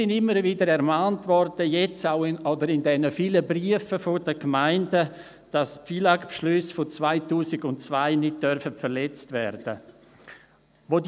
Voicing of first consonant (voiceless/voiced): voiced